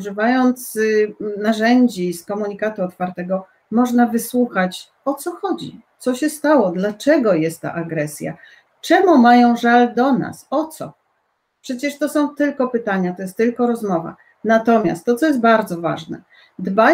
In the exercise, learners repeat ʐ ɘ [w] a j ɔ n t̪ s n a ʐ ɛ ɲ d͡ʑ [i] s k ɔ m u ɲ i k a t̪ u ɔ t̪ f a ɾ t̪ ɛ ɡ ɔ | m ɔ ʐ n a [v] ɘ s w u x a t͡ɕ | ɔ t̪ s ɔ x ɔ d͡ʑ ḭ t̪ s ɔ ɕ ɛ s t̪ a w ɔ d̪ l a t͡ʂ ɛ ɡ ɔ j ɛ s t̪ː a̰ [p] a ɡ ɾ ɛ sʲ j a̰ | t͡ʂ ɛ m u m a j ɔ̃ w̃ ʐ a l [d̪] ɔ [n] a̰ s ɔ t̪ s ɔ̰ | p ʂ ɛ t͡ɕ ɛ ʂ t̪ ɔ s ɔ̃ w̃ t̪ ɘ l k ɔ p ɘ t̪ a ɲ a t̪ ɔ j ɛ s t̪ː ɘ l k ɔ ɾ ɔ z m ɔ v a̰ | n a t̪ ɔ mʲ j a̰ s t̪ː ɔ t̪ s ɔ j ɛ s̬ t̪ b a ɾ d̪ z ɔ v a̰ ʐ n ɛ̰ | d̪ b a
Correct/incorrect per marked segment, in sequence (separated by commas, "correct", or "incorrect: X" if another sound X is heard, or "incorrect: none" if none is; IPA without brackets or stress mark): incorrect: v, correct, correct, incorrect: ʔ, correct, correct